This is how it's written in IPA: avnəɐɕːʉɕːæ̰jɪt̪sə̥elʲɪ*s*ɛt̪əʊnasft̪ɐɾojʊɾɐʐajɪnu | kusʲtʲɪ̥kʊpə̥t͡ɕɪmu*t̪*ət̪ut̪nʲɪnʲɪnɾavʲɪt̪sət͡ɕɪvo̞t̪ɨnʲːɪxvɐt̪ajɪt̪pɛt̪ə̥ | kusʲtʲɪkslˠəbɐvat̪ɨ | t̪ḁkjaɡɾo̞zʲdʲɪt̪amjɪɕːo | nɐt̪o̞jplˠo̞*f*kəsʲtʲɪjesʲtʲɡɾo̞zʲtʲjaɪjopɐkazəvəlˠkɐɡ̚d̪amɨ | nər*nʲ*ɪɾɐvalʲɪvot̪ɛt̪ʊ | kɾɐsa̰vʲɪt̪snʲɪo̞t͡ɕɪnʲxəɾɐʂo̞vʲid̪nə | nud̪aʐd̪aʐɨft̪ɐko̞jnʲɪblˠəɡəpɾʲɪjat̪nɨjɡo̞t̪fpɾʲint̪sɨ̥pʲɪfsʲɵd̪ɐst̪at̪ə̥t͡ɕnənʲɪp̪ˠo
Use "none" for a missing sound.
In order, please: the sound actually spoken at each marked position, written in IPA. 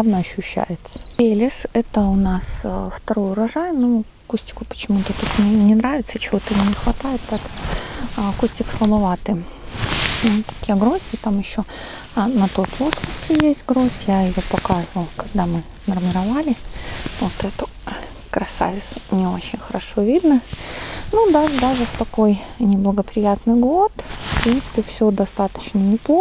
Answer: s, t̪, s, mʲ

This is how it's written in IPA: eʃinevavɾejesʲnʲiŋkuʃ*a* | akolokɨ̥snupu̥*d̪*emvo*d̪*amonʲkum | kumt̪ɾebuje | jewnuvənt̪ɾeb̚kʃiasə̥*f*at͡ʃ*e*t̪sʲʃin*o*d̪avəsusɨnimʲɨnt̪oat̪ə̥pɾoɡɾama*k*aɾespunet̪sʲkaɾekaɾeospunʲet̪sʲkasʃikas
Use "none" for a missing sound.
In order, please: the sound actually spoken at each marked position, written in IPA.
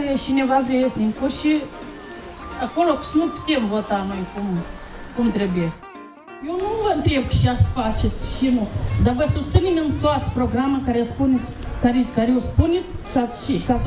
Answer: i, t̪, t̪, f, e, u, k

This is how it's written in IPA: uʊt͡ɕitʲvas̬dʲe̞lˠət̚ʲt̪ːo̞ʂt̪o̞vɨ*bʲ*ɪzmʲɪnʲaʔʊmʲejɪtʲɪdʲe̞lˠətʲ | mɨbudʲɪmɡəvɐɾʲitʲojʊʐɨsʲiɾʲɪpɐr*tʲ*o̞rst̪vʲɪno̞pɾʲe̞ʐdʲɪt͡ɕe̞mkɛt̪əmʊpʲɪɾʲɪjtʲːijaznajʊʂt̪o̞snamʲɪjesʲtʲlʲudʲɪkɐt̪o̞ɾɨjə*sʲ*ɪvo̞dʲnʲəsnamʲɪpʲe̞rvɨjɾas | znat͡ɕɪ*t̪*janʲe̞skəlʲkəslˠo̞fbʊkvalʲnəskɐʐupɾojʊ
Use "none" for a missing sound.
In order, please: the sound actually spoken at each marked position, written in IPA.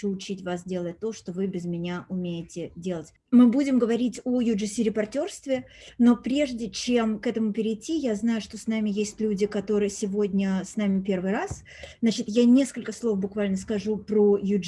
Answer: bʲ, tʲ, sʲ, t̪

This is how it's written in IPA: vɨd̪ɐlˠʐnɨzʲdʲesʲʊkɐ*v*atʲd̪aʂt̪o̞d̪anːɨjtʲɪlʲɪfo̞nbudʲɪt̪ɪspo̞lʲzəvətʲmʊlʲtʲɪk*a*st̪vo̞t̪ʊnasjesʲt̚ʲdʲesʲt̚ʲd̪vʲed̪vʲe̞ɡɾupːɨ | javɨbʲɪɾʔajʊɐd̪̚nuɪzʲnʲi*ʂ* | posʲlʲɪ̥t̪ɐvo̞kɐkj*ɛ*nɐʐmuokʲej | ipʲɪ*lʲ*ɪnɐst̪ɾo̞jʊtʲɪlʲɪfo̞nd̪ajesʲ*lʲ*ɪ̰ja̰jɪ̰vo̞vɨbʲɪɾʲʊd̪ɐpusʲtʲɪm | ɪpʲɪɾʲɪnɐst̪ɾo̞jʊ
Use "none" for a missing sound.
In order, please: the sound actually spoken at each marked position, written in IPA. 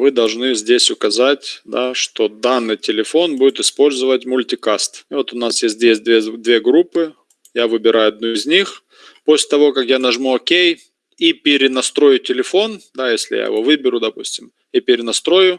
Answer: z, a, x, a, ɾʲ, lʲ

